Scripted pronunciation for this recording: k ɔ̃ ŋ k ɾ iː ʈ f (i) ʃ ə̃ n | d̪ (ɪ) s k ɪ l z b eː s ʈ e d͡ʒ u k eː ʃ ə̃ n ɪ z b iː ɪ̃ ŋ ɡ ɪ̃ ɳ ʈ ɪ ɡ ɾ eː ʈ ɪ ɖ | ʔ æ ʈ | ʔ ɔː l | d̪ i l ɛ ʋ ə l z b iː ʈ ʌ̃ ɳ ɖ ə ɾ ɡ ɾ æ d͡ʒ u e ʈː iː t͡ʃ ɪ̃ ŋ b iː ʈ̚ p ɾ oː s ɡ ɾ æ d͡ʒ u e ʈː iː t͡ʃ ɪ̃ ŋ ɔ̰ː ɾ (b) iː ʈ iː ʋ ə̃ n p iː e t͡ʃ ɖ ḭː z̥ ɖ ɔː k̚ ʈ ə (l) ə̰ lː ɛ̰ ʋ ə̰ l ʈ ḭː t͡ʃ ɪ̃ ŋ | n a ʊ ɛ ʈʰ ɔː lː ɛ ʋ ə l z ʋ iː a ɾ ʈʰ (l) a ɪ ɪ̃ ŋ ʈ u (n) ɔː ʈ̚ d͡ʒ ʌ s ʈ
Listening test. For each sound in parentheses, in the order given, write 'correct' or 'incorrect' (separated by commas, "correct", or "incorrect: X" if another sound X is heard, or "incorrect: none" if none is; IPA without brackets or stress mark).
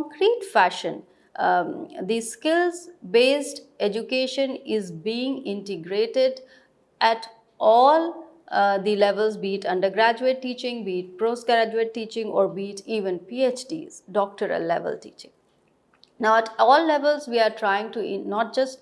incorrect: æ, incorrect: i, correct, incorrect: ɾ, incorrect: ɾ, correct